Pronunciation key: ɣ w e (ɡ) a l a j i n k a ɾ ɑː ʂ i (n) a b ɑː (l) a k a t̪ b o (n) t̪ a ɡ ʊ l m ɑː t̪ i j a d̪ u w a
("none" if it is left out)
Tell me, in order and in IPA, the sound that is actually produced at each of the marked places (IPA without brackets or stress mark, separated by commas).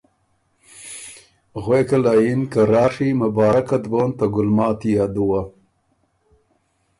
k, m, ɾ, n